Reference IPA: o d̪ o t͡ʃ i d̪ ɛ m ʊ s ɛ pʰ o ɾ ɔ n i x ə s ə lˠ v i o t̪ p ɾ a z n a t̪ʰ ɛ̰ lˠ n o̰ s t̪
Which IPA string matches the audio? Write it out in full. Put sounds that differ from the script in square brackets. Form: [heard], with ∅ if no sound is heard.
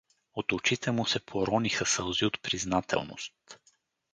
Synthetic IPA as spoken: o [t̪] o t͡ʃ i [t̪] ɛ m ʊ s ɛ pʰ o ɾ ɔ n i x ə s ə lˠ [z] i o t̪ p ɾ [i] z n a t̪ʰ ɛ̰ lˠ n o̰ s t̪

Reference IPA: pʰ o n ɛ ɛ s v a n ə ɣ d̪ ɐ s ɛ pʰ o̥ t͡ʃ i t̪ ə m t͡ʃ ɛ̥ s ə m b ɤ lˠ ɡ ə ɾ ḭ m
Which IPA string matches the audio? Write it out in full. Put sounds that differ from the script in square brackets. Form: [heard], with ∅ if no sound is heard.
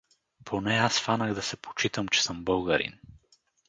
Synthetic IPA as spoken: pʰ o n ɛ [a] s [f] a n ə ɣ d̪ ɐ s ɛ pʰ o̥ t͡ʃ i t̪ ə m t͡ʃ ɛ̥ s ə m b ɤ lˠ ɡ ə ɾ ḭ [n]

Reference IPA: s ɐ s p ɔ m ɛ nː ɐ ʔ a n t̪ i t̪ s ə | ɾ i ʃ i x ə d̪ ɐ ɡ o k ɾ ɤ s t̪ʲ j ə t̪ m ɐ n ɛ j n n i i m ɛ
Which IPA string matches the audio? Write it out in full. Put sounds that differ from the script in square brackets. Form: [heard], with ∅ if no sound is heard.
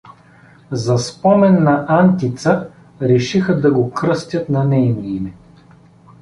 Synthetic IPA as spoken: [z] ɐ s p ɔ m ɛ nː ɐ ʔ a n t̪ i t̪ s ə | ɾ [ɛ] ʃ i x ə d̪ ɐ ɡ o k ɾ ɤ s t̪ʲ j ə t̪ [n] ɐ n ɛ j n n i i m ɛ

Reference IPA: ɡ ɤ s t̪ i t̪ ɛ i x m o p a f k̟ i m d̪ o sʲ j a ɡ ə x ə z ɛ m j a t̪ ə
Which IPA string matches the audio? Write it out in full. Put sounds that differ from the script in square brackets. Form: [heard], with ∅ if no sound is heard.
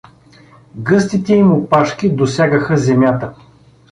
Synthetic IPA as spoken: ɡ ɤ s t̪ i t̪ ɛ i [∅] m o p a [ʃ] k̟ i [∅] d̪ o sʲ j a ɡ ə x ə z ɛ m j a t̪ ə

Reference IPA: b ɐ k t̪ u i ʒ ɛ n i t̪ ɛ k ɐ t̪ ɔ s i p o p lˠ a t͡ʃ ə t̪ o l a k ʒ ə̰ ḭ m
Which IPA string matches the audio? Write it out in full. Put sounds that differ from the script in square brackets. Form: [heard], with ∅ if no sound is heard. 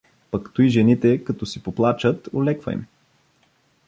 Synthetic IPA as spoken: [p] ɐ k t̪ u i ʒ ɛ n i t̪ ɛ k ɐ t̪ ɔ s i p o p lˠ a t͡ʃ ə t̪ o l [ɛ] k [v] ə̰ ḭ m

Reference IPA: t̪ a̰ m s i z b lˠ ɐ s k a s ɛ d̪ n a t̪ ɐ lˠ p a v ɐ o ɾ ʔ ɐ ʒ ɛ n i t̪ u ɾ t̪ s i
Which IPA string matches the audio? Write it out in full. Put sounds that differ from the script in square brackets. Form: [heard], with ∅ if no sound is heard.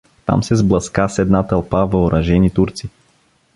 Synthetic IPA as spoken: t̪ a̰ m s [ɛ] z b lˠ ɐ s k a s ɛ d̪ n a t̪ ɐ lˠ p a v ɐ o ɾ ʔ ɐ ʒ ɛ n i t̪ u ɾ t̪ s i

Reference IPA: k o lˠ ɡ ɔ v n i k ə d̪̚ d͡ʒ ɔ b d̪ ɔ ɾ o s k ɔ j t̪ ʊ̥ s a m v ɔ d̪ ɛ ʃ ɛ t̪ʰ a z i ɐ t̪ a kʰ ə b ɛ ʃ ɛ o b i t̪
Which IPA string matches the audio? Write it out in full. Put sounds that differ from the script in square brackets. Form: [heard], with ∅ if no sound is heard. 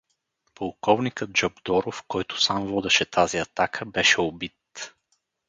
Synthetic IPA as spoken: [p] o lˠ [k] ɔ v n i k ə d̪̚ d͡ʒ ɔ b d̪ ɔ ɾ o [f] k ɔ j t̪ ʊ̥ s a m v ɔ d̪ ɛ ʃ ɛ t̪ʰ a z i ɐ t̪ a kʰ ə b ɛ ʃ ɛ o b i t̪

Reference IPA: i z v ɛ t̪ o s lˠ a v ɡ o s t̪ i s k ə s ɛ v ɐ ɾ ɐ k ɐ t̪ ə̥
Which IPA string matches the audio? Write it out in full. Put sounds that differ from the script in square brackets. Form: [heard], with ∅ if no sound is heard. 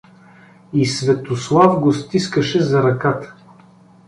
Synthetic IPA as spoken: i [s] v ɛ t̪ o s lˠ a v ɡ o s t̪ i s k ə [ʃ] ɛ [z] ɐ ɾ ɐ k [a] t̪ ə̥

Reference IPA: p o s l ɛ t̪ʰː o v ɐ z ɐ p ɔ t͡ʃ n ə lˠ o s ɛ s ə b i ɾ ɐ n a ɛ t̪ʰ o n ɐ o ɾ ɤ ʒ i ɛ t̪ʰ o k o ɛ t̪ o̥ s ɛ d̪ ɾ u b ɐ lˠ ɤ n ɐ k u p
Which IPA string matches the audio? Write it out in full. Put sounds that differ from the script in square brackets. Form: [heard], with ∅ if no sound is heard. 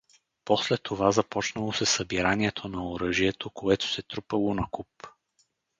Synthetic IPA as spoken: p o s l ɛ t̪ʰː o v [a] z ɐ p ɔ t͡ʃ n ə lˠ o s ɛ s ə b i ɾ [a] n [i] ɛ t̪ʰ o n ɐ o ɾ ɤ ʒ i ɛ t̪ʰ o k o ɛ t̪ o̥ s ɛ [t̪] ɾ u [p] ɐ lˠ [o] n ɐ k u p

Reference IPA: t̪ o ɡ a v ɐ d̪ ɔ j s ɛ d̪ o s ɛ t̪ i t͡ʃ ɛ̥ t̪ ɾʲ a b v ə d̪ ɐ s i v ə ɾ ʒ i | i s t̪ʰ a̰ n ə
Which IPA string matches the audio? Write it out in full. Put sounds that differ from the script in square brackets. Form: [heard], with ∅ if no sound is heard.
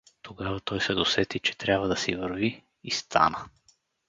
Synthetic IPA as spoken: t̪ o ɡ a v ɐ [t̪] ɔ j s ɛ d̪ o s ɛ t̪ i t͡ʃ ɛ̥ t̪ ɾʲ a b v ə d̪ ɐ s i v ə ɾ [v] i | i s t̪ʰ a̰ n ə

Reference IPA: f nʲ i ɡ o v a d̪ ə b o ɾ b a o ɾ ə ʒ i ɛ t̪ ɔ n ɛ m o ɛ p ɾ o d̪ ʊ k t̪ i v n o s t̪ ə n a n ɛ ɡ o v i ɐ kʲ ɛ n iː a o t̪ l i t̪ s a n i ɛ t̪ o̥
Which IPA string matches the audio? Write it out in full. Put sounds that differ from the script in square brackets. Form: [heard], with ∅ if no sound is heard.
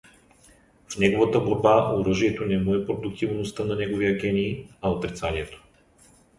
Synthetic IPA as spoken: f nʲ [ɛ] ɡ o v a [t̪] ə b o ɾ b a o ɾ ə ʒ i ɛ t̪ [o] n ɛ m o ɛ p ɾ o d̪ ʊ k t̪ i v n o s t̪ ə n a n ɛ ɡ o v i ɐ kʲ ɛ n iː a o t̪ [ɾ] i t̪ s a n i ɛ t̪ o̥

